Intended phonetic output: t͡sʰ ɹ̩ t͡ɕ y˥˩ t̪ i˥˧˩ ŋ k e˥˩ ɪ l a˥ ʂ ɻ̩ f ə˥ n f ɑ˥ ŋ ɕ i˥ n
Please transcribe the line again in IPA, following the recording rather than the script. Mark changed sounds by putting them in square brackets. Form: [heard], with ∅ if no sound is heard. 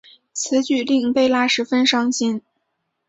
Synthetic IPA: t͡sʰ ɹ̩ t͡ɕ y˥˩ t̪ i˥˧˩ ŋ [p] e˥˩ ɪ l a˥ ʂ ɻ̩ f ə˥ n [ʂ] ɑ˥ ŋ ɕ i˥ n